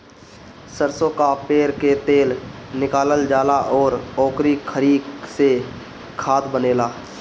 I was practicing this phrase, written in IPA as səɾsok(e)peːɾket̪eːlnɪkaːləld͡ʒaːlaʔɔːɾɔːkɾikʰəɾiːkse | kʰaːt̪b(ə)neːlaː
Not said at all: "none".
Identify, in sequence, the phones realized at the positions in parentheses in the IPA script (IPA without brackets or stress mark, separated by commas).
a, ə